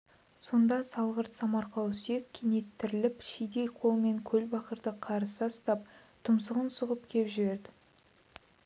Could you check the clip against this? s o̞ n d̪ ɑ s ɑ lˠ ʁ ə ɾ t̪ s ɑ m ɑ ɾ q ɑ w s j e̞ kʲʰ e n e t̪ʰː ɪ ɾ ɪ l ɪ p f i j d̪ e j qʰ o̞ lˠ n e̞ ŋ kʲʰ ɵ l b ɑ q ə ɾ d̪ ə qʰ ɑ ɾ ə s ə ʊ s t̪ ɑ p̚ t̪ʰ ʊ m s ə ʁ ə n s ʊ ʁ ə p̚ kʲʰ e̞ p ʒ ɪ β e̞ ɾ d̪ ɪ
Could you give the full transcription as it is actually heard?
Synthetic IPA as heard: s o̞ n d̪ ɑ s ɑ lˠ ʁ ə ɾ t̪ s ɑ m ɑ ɾ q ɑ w s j e̞ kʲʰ e n e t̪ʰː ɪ ɾ ɪ l ɪ p ʃ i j d̪ e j qʰ o̞ lˠ m e̞ ŋ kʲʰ ɵ l b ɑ q ə ɾ d̪ ə qʰ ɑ ɾ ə s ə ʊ s t̪ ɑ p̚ t̪ʰ ʊ m s ə ʁ ə n s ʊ ʁ ə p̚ kʲʰ e̞ p ʒ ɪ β e̞ ɾ d̪ ɪ

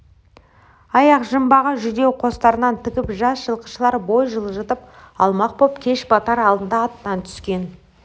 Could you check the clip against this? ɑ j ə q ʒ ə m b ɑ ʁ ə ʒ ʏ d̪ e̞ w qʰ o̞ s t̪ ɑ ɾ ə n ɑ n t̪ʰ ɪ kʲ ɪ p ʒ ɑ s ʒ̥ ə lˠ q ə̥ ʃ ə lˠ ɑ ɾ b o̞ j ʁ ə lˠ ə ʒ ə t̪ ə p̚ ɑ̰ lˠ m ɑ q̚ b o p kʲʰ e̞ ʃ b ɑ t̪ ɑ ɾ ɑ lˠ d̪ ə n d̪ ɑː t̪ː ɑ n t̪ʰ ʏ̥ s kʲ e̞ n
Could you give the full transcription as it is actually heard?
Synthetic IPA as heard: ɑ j ɑ q ʒ ə m b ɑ ʁ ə ʒ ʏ d̪ e̞ w qʰ o̞ s t̪ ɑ ɾ ə n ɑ n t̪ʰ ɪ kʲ ɪ p ʒ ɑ s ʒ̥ ə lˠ q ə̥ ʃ ə lˠ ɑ ɾ b o̞ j ʒ ə lˠ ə ʒ ə t̪ ə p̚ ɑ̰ lˠ m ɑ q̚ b o p kʲʰ e̞ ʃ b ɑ t̪ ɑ ɾ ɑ lˠ d̪ ə n d̪ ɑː t̪ː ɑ n t̪ʰ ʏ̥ s kʲ e̞ n

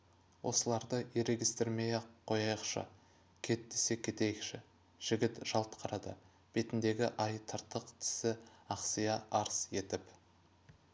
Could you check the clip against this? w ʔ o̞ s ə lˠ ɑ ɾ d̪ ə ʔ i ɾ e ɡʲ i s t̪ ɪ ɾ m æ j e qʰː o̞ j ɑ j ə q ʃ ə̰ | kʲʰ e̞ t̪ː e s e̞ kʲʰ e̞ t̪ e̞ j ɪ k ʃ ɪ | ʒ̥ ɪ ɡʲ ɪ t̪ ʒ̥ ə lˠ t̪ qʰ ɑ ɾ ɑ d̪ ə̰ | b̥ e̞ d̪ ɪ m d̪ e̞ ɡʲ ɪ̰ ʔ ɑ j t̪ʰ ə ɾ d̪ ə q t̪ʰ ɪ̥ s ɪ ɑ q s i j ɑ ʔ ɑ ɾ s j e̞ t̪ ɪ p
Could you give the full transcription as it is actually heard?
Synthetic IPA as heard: w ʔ o̞ s ə lˠ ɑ ɾ d̪ ə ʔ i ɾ e ɡʲ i s t̪ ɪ ɾ m e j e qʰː o̞ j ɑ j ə q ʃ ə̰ | kʲʰ e̞ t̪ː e s e̞ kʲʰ e̞ t̪ e̞ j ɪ k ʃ ɪ | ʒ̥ ɪ ɡʲ ɪ t̪ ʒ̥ ɑ lˠ t̪ qʰ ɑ ɾ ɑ d̪ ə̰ | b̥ e̞ t̪ ɪ n d̪ e̞ ɡʲ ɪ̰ ʔ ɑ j t̪ʰ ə ɾ t̪ ə q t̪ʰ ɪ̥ s ɪ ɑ q s i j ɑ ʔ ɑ ɾ s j e̞ t̪ ɪ p

